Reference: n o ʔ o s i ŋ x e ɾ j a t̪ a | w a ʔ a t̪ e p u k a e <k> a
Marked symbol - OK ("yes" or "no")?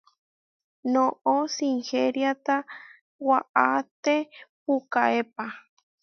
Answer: no